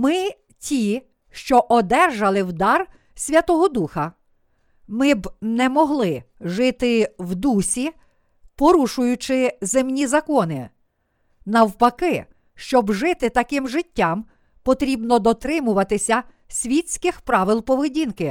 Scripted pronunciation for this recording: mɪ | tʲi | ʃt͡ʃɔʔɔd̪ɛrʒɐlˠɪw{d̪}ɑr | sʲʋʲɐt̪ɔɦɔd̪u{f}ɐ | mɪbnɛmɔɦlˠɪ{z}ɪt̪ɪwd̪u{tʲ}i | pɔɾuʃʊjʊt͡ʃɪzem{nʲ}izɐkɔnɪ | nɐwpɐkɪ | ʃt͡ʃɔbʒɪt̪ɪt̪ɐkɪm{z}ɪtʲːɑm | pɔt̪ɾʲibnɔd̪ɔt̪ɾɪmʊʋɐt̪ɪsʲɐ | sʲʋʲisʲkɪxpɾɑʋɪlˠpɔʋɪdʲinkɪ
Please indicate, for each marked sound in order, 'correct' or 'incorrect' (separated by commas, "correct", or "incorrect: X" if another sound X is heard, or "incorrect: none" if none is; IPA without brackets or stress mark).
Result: correct, incorrect: x, incorrect: ʒ, incorrect: sʲ, correct, incorrect: ʒ